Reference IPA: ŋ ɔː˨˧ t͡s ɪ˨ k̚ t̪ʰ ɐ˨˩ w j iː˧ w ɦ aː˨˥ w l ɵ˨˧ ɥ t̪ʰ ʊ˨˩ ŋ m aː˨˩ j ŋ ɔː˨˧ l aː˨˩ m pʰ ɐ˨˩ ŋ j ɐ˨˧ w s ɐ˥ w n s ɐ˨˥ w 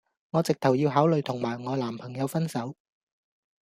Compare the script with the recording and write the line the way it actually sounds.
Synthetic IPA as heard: ŋ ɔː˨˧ t͡s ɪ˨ k̚ t̪ʰ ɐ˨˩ w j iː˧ w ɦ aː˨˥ w l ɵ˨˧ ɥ t̪ʰ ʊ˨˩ ŋ m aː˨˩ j ŋ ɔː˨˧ l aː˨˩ m pʰ ɐ˨˩ ŋ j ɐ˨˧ w f ɐ˥ n s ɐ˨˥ w